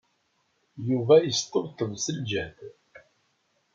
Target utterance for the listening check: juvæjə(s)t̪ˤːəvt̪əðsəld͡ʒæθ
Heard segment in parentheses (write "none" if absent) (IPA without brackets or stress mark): s